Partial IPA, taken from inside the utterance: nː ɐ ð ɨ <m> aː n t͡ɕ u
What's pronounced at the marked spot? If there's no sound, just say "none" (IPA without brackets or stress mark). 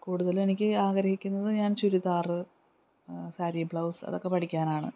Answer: ɲ